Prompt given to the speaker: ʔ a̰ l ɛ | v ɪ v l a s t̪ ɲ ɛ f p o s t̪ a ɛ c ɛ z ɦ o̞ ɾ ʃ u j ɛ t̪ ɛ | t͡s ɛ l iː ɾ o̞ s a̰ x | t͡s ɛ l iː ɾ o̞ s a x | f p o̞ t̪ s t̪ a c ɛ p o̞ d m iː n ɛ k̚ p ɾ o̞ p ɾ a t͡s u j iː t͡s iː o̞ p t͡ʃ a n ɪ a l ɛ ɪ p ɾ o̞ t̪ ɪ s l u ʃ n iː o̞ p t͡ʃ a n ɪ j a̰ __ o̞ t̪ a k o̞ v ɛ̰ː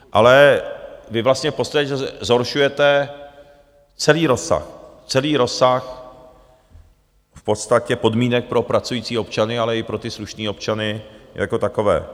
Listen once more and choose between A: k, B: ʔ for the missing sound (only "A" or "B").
A